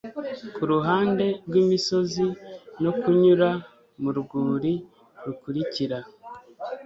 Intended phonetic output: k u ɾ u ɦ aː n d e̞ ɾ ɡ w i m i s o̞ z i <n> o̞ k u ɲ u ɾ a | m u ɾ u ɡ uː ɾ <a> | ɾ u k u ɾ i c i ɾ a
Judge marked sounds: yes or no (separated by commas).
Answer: yes, no